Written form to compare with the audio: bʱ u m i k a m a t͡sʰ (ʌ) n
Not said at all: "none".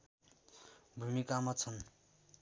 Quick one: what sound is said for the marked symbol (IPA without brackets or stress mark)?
ʌ